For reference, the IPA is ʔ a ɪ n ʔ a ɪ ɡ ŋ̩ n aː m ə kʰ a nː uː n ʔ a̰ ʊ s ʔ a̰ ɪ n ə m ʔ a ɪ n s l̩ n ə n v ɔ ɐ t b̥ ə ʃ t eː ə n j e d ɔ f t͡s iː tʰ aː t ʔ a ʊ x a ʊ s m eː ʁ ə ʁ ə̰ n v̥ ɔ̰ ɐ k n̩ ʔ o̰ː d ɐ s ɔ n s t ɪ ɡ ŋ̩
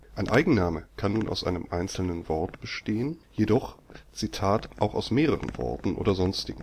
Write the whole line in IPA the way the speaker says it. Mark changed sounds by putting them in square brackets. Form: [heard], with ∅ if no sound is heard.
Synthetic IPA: ʔ a ɪ n ʔ a ɪ ɡ ŋ̩ n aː m ə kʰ a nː uː n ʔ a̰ ʊ s ʔ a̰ ɪ n ə m ʔ a ɪ n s l̩ n ə n v ɔ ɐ t b̥ ə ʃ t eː ə n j e d ɔ [χ] t͡s [i] tʰ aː t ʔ a ʊ x a ʊ s m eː ʁ ə ʁ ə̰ n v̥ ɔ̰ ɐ [t] n̩ ʔ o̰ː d ɐ [z] ɔ n s t ɪ ɡ ŋ̩